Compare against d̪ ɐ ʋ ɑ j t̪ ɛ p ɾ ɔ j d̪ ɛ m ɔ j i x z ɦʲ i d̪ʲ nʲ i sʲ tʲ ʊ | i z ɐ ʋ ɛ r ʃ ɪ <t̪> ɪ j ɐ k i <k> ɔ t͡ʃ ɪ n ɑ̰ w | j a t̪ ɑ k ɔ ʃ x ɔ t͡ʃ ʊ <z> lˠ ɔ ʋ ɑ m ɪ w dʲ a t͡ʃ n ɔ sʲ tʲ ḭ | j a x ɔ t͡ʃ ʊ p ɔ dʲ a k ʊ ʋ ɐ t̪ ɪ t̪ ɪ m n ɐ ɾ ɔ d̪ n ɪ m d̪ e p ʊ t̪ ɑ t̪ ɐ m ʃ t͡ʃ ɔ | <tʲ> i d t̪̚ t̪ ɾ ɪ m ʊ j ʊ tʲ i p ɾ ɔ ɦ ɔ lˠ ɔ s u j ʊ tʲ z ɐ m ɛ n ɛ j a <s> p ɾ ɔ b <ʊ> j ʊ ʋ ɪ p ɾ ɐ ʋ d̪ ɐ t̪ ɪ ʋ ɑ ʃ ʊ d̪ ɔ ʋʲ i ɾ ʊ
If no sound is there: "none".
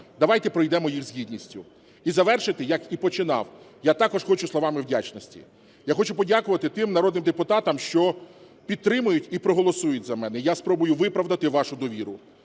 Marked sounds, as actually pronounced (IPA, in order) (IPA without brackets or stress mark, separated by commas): t̪, p, s, pʲ, s, ʊ